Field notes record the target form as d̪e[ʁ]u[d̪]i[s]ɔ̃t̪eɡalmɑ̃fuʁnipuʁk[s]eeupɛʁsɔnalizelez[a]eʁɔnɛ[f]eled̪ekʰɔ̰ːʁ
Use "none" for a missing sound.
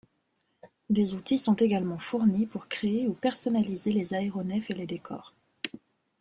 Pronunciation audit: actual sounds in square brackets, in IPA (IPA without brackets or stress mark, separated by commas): z, t̪, s, χ, a, f